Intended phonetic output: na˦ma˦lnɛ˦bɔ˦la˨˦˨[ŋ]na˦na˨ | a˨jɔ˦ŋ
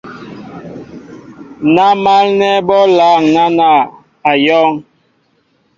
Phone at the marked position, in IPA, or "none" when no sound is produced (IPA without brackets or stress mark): ŋ